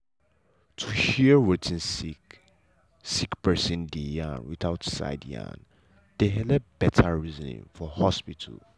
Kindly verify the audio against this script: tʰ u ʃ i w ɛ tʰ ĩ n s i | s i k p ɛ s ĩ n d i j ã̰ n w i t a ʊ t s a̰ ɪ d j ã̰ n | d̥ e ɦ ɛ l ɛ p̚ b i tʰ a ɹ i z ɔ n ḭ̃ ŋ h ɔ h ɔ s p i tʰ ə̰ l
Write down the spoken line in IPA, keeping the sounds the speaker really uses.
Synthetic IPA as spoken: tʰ u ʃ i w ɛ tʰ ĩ n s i | s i k p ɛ s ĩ n d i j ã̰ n w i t a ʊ t s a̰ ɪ d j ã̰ n | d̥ e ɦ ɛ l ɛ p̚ b ɛ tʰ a ɹ i z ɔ n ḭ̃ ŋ f ɔ h ɔ s p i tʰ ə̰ l